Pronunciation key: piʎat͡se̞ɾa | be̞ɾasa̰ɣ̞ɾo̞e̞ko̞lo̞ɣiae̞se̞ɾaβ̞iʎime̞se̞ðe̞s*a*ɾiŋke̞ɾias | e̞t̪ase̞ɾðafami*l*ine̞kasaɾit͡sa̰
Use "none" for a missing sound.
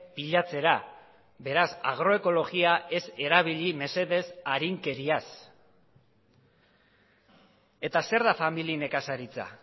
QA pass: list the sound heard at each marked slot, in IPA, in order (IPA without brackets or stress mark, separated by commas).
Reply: a, l